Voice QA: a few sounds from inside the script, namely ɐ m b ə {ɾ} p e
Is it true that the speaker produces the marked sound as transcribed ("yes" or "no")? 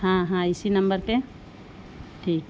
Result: yes